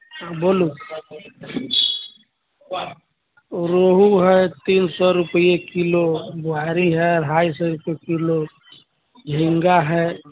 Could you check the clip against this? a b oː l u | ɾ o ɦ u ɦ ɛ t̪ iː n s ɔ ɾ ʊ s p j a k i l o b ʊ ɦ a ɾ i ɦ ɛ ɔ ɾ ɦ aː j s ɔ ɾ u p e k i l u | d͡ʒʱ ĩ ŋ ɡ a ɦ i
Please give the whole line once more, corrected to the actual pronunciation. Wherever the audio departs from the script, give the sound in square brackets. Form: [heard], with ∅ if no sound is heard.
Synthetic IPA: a b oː l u | ɾ o ɦ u ɦ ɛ t̪ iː n s ɔ ɾ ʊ [∅] p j [e] k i l o b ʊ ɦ a ɾ i ɦ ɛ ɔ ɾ ɦ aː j s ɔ ɾ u p e k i l [o] | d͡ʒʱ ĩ ŋ ɡ a ɦ [ɛ]